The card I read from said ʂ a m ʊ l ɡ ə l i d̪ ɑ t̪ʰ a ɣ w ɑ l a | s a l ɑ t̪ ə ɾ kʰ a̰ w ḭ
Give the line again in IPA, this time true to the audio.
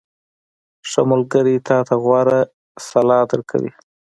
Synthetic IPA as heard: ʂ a m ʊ l ɡ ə ɾ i t̪ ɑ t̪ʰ a ɣ w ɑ ɾ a | s a l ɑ d̪ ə ɾ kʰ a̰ w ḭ